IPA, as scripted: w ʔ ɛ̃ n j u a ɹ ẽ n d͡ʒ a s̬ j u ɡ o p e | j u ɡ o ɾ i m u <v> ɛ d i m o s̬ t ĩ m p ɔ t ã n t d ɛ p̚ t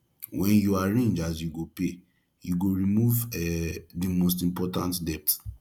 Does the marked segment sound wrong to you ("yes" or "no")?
no